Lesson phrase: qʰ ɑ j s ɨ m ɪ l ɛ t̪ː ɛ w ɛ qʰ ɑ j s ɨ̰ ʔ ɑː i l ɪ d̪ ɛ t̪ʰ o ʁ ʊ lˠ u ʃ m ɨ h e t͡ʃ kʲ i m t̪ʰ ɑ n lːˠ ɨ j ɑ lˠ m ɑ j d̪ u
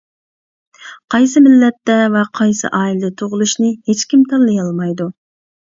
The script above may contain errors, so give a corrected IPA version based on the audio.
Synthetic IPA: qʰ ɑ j s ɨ m ɪ lː ɛ t̪ː ɛ v ɛ qʰ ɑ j s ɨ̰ ʔ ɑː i l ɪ d̪ ɛ t̪ʰ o ʁ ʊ lˠ u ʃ n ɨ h e t͡ʃ kʲ i m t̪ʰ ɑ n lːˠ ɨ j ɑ lˠ m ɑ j d̪ u